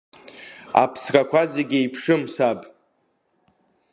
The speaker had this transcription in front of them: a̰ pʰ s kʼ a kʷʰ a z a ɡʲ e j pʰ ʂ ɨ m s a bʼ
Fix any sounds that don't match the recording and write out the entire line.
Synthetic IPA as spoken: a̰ pʰ s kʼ a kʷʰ a z e ɡʲ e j pʰ ʂ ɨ m s a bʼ